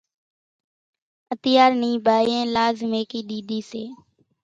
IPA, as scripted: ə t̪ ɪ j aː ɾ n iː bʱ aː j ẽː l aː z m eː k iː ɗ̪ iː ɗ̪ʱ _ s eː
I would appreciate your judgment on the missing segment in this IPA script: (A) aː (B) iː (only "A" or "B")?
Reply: B